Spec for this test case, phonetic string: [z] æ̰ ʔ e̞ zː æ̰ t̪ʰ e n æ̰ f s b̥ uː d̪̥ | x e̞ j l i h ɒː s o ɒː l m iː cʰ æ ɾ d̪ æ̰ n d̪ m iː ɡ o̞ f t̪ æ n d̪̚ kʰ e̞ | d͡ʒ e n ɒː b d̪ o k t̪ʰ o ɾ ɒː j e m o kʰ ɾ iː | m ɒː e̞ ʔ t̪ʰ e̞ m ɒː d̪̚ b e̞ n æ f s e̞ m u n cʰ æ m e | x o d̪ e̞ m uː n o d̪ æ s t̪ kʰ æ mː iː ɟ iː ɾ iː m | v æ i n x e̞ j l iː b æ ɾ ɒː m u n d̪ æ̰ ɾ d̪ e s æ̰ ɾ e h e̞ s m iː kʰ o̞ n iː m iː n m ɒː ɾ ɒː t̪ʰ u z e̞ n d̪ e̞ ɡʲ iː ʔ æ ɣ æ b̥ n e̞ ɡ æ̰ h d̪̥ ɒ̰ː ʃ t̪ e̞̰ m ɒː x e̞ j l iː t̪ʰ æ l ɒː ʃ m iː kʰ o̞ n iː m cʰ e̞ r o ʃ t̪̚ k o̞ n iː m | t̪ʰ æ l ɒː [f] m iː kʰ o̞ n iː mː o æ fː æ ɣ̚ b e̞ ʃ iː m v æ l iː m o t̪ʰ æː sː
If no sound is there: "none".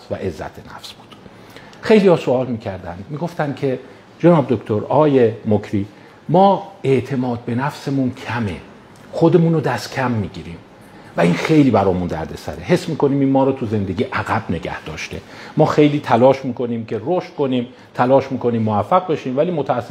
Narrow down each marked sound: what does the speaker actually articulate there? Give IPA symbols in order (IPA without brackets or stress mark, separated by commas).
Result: v, ʃ